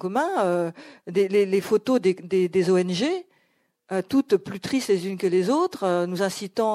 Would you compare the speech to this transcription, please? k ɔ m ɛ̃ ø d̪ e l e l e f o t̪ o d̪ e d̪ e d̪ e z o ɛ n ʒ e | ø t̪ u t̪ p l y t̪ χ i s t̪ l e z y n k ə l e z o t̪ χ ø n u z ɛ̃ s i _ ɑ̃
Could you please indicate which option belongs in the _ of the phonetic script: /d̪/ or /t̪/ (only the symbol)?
t̪